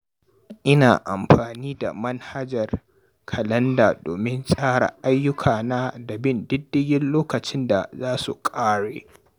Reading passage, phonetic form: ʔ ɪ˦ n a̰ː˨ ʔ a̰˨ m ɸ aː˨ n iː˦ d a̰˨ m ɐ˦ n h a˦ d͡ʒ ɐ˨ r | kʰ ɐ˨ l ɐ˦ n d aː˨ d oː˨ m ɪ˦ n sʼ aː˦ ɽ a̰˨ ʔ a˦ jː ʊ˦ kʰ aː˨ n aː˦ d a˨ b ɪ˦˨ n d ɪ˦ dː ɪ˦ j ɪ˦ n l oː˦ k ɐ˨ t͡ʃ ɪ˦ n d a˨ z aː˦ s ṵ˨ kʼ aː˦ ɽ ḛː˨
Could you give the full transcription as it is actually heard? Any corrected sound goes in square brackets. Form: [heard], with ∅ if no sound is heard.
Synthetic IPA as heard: ʔ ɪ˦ n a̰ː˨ ʔ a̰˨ m ɸ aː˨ n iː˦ d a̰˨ m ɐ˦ n h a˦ d͡ʒ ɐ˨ r | kʰ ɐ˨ l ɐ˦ n d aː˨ d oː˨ m ɪ˦ n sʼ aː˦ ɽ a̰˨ ʔ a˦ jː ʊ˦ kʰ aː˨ n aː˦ d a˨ b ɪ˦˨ n d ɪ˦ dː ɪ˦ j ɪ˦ n l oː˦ k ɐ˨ t͡ʃ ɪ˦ n d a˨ z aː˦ s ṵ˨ kʼ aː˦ ɽ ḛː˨